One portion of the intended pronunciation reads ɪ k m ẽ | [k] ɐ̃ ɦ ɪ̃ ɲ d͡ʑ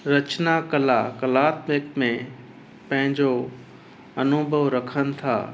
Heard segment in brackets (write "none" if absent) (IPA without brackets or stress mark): p